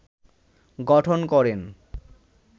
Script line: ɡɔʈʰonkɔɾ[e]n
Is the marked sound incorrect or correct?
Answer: correct